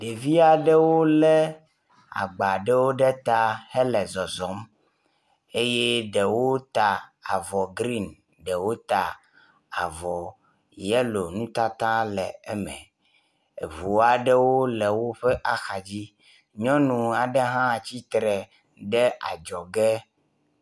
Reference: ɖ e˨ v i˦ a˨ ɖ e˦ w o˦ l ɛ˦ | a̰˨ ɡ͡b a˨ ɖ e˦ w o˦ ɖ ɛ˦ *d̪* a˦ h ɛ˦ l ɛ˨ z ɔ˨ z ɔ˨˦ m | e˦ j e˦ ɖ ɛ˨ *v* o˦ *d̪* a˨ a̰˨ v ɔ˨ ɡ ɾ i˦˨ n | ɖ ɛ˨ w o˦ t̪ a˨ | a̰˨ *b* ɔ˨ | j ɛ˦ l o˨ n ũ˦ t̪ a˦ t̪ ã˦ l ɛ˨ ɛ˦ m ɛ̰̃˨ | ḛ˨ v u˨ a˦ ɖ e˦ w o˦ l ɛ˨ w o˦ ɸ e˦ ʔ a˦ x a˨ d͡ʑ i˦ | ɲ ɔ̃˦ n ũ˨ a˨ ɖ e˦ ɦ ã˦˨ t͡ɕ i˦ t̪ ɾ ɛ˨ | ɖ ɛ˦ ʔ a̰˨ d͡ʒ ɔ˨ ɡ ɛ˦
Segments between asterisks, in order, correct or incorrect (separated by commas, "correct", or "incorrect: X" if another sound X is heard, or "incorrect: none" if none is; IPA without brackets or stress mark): incorrect: t̪, incorrect: w, incorrect: t̪, incorrect: v